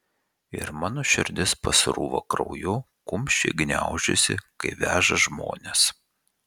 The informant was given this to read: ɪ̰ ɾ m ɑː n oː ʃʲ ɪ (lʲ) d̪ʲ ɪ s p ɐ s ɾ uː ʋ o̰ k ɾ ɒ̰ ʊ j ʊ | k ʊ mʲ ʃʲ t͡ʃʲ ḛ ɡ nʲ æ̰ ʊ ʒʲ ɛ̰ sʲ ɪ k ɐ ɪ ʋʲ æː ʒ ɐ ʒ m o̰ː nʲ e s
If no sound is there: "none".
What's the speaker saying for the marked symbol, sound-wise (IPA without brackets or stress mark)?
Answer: ɾʲ